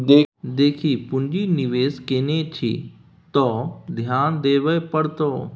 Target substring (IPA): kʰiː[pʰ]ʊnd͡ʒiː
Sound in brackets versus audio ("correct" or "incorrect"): incorrect